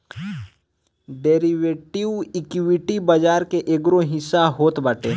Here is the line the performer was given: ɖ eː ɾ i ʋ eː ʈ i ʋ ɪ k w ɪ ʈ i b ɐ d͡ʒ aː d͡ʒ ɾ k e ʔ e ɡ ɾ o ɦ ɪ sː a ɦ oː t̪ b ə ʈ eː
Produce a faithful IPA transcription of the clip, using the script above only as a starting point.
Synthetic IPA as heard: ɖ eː ɾ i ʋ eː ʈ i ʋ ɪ k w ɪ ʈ i b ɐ d͡ʒ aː ɾ k e ʔ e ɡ ɾ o ɦ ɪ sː a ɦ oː t̪ b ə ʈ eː